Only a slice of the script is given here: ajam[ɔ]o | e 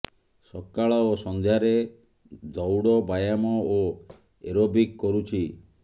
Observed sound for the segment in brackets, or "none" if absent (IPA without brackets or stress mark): ɔ